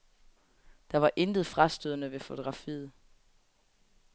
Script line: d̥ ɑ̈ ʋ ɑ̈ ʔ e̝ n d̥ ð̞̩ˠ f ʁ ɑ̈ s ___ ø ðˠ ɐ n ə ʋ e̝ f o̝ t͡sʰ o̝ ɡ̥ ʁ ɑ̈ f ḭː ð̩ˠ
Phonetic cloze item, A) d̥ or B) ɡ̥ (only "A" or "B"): A